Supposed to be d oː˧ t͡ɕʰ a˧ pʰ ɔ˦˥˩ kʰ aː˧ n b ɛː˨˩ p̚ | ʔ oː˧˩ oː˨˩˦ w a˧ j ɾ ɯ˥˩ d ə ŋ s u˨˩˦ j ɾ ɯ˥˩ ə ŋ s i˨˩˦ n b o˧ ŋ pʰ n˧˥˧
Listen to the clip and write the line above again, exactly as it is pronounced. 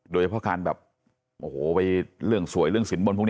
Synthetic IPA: d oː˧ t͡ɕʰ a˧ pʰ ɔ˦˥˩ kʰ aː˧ n b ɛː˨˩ p̚ | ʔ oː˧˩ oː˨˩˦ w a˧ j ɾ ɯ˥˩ ə ŋ s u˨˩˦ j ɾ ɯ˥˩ ə ŋ s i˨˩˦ n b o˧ n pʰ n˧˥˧